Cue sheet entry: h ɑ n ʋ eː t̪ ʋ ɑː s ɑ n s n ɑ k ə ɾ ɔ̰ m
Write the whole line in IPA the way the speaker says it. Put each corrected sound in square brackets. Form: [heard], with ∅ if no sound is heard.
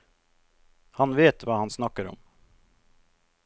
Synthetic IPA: h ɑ n ʋ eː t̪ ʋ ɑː [h] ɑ n s n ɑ k ə ɾ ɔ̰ m